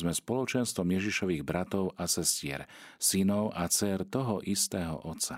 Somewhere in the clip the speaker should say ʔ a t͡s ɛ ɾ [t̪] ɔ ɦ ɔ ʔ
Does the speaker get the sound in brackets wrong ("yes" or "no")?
no